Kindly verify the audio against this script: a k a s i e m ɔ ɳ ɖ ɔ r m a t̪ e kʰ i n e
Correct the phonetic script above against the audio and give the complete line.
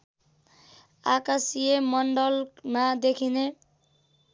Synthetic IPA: a k a s i e m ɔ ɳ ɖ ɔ l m a d̪ e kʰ i n e